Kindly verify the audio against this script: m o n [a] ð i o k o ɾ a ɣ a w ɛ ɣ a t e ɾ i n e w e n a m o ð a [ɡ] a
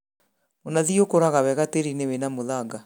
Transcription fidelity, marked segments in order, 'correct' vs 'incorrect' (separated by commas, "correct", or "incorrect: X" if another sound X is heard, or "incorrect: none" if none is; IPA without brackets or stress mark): correct, correct